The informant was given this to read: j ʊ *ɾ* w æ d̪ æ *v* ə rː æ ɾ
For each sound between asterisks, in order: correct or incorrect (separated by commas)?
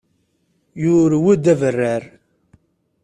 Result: correct, correct